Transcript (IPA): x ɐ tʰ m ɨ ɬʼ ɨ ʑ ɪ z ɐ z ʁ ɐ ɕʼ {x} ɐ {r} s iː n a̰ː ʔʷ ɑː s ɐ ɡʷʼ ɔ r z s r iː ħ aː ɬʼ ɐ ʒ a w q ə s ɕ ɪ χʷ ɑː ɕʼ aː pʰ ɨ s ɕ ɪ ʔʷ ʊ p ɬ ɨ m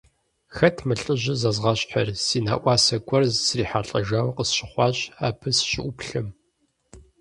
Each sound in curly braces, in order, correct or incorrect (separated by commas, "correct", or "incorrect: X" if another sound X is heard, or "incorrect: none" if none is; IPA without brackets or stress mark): incorrect: ħ, correct